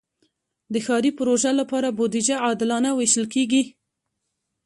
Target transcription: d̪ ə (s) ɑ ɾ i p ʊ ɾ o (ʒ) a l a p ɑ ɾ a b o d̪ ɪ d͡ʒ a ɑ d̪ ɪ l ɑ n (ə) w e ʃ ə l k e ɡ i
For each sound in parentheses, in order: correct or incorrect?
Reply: incorrect, correct, incorrect

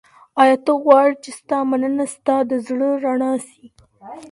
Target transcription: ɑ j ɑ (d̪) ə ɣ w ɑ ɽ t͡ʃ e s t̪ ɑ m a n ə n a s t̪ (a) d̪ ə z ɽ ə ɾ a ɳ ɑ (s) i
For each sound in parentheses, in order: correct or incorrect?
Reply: incorrect, incorrect, correct

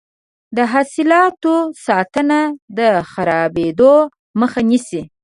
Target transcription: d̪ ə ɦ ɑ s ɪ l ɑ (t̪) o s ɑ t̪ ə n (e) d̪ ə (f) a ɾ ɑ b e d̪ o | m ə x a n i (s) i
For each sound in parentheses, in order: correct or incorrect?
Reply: correct, incorrect, incorrect, correct

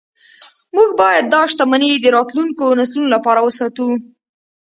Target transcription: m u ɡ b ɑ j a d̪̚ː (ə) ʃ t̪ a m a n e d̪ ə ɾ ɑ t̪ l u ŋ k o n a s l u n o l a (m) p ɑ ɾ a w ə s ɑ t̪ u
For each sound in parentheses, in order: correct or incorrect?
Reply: incorrect, incorrect

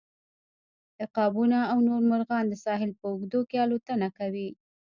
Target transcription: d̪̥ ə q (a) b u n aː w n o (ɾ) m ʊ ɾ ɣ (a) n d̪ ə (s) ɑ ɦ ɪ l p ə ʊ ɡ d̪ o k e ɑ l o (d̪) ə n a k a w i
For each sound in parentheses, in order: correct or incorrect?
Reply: incorrect, correct, incorrect, correct, incorrect

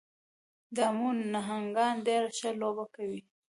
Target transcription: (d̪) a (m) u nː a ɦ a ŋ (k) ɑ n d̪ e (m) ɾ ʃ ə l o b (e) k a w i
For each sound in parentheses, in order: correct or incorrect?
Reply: correct, correct, incorrect, incorrect, incorrect

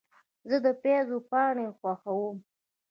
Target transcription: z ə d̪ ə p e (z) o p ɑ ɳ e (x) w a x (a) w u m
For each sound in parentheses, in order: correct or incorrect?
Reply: correct, correct, correct

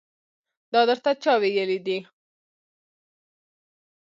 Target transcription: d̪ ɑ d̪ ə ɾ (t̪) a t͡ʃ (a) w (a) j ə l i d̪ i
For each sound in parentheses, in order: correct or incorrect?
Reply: correct, incorrect, incorrect

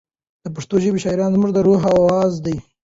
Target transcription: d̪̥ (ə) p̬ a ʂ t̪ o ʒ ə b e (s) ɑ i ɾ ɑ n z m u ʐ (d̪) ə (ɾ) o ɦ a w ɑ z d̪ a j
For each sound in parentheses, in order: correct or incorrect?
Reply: correct, incorrect, correct, correct

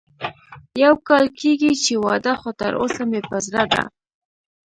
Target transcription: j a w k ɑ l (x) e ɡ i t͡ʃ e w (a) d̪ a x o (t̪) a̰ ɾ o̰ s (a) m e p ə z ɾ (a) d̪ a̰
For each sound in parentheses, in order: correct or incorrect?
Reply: incorrect, incorrect, correct, correct, correct

